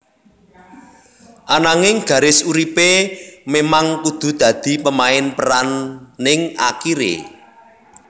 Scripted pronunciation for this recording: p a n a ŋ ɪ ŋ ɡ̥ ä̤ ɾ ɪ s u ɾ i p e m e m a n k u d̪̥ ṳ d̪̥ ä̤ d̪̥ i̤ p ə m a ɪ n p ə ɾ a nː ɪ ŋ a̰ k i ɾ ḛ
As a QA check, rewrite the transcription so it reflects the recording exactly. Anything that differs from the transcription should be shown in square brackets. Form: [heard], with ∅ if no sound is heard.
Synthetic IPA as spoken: [ʔ] a n a ŋ ɪ ŋ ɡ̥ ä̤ ɾ ɪ s u ɾ i p e m e m a [ŋ] k u d̪̥ ṳ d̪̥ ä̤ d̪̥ i̤ p ə m a ɪ n p ə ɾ a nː ɪ ŋ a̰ k i ɾ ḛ